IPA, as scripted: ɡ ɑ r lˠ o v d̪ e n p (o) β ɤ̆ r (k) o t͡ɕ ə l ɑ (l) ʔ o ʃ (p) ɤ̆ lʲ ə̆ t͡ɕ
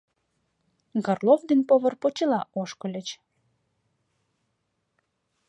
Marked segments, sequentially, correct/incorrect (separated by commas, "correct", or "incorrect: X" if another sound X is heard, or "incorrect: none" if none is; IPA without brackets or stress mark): correct, incorrect: p, incorrect: none, incorrect: k